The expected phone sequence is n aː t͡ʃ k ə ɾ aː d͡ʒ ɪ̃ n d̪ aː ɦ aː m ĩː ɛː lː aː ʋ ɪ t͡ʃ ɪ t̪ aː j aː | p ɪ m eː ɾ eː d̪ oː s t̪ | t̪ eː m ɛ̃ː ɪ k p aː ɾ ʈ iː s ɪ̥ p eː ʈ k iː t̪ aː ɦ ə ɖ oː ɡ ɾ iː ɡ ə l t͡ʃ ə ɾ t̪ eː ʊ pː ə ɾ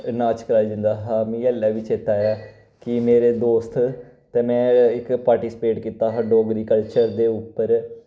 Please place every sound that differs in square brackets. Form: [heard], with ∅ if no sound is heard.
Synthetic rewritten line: n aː t͡ʃ k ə ɾ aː d͡ʒ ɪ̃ n d̪ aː ɦ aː m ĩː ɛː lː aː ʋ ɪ t͡ʃ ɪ t̪ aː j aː | [k] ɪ m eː ɾ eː d̪ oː s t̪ | t̪ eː m ɛ̃ː ɪ k p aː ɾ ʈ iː s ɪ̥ p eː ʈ k iː t̪ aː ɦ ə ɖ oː ɡ ɾ iː [k] ə l t͡ʃ ə ɾ [d̪] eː ʊ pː ə ɾ